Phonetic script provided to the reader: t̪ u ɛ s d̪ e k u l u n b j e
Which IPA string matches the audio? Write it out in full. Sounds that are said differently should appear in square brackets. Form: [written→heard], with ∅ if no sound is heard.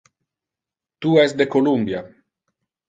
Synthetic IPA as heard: t̪ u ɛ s d̪ e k [u→o] l u [n→m] b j [e→a]